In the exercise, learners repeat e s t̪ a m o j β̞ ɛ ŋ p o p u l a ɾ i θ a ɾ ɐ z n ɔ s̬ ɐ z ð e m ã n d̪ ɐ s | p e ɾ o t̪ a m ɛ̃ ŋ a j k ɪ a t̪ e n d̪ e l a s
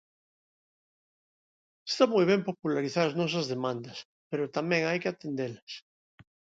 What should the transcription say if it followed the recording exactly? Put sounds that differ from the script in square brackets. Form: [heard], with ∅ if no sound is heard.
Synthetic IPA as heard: e s t̪ a m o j β̞ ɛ [m] p o p u l a ɾ i θ a ɾ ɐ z n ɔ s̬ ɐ z ð e m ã n d̪ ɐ s | p e ɾ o t̪ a m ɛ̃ ŋ a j k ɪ a t̪ e n d̪ e l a s

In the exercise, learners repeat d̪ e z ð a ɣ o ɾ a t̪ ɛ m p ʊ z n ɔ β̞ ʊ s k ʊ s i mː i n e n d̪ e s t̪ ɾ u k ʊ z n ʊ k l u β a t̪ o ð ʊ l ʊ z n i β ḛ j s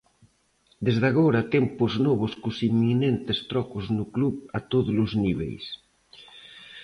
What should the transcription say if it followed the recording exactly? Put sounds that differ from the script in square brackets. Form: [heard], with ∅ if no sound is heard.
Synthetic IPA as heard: d̪ e z ð a ɣ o ɾ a t̪ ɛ m p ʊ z n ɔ β̞ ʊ s k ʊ s i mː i n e n [t̪] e s t̪ ɾ [ɔ] k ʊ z n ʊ k l u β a t̪ o ð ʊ l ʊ z n i β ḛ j s

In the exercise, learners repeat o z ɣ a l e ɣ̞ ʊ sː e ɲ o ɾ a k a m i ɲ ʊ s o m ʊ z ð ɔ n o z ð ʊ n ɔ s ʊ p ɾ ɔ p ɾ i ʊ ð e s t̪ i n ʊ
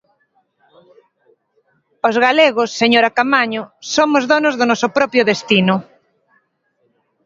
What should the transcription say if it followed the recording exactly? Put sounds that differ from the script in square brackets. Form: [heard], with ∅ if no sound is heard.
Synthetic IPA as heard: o z ɣ a l e ɣ̞ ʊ sː e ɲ o ɾ a k a m [a] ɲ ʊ s o m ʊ z ð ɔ n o z ð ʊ n ɔ s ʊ p ɾ ɔ p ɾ [j] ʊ ð e s t̪ i n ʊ

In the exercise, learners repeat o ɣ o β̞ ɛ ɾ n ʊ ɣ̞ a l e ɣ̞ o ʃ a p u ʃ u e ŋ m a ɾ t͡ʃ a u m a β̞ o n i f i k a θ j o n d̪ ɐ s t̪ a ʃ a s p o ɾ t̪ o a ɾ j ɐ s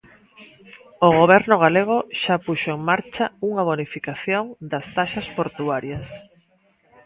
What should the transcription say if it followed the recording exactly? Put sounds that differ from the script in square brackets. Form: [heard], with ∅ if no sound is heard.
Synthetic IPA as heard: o ɣ o β̞ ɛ ɾ n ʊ ɣ̞ a l e ɣ̞ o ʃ a p u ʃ [o] e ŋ m a ɾ t͡ʃ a u [ŋ] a β̞ o n i f i k a θ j o [ŋ] d̪ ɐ s t̪ a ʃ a s p o ɾ t̪ [u] a ɾ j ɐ s

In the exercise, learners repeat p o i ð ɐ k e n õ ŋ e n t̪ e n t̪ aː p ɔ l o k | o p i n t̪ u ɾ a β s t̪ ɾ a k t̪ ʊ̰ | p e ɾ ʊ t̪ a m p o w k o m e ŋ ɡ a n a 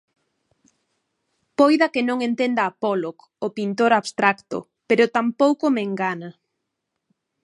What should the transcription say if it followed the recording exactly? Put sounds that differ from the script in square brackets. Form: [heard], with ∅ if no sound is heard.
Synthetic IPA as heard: p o [j] ð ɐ k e n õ ŋ e n t̪ e n [d̪] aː p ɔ l o k | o p i n t̪ [o] ɾ a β s t̪ ɾ a k t̪ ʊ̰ | p e ɾ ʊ t̪ a m p o w k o m e ŋ ɡ a n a

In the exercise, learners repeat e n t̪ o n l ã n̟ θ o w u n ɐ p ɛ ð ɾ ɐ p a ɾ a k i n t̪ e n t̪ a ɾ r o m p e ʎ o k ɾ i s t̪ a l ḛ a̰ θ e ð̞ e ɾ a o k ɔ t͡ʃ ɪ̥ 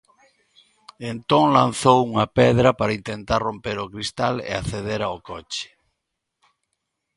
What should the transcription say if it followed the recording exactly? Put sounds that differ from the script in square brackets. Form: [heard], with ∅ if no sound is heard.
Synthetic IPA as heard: e n t̪ o [ŋ] l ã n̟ θ o w u [ŋ] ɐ p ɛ ð ɾ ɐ p a ɾ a [∅] i n t̪ e n t̪ a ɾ r o m p e [ɾ] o k ɾ i s t̪ a l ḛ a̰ θ e ð̞ e ɾ a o k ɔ t͡ʃ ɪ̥

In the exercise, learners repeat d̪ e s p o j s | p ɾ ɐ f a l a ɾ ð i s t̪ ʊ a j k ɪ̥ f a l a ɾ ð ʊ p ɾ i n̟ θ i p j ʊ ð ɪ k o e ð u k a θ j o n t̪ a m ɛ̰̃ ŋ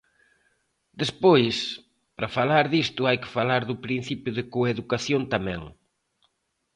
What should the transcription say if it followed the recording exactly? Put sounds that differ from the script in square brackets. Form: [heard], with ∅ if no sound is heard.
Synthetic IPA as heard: d̪ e s p o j s | p ɾ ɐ f a l a ɾ ð i s t̪ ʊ a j k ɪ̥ f a l a ɾ ð ʊ p ɾ i n̟ θ i p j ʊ ð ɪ k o e ð u k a θ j o n t̪ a m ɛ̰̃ ŋ

